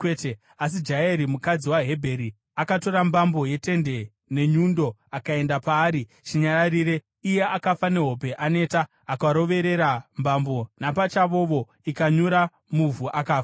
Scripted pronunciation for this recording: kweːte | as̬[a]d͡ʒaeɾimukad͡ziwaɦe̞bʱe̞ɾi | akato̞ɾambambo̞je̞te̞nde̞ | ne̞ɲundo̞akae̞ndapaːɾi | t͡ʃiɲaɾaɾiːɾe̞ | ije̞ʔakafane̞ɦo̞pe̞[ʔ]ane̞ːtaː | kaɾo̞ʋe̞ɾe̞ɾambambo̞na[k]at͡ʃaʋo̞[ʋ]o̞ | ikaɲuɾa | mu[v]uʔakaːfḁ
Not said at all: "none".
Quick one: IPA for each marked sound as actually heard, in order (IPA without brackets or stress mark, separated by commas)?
i, ʔ, p, ʋ, v